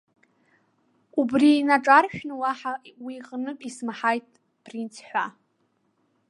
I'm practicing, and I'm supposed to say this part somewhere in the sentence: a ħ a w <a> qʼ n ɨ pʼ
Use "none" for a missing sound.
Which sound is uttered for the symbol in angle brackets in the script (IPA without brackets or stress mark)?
i